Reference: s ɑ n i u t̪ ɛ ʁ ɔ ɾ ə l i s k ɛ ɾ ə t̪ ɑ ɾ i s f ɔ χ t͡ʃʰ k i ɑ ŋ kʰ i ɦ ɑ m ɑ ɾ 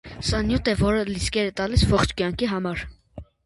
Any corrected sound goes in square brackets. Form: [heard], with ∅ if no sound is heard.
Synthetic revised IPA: s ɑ n [j] u t̪ ɛ [v] ɔ ɾ ə l i s k ɛ ɾ ə t̪ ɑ [l] i s [v] ɔ χ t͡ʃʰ k [j] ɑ ŋ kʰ i ɦ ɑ m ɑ ɾ